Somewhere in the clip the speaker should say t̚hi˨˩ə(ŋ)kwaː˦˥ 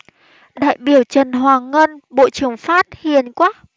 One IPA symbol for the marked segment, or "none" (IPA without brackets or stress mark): n